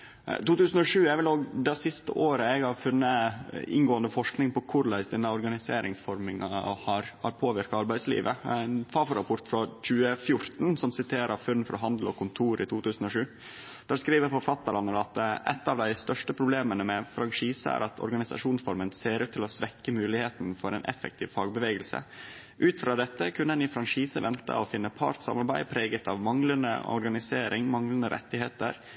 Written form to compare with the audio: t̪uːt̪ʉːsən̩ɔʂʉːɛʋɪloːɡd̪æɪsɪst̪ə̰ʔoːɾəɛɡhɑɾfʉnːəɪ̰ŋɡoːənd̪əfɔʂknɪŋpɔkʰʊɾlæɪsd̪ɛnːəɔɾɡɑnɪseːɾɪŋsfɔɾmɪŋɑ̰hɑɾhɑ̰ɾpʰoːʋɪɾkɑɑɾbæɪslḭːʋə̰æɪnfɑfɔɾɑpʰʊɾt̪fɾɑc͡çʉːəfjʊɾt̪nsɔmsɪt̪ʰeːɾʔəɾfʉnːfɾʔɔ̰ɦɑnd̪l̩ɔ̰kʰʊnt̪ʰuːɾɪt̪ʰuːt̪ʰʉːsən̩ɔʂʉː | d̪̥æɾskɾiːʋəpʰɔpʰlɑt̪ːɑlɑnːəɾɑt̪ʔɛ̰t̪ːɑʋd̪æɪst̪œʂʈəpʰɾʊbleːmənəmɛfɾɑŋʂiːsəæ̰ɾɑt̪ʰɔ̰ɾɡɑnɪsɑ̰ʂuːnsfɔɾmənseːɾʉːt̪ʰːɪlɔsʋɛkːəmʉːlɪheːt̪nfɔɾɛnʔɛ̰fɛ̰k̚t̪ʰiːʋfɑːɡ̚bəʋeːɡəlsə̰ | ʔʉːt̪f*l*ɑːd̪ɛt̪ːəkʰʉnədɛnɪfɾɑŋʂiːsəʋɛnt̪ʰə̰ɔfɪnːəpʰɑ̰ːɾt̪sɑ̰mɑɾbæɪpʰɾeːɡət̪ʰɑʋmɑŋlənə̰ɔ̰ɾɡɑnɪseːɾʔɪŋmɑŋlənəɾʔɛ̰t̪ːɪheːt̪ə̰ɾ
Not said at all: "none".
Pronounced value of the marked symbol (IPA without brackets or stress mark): ɾ